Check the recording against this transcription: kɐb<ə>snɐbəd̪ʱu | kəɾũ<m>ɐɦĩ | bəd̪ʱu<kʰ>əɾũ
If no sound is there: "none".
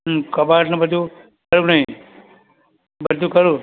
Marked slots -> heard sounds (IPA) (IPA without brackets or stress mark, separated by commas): a, n, k